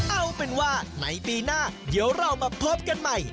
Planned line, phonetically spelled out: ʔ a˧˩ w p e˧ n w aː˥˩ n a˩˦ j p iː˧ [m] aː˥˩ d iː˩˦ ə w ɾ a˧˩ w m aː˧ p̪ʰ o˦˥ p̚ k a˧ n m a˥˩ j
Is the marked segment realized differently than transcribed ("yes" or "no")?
yes